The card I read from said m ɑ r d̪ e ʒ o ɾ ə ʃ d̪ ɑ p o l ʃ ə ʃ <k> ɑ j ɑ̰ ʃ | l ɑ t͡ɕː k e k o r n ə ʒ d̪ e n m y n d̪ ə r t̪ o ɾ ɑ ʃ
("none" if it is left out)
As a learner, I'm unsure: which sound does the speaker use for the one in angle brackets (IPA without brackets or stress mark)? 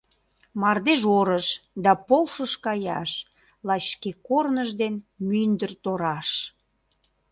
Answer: k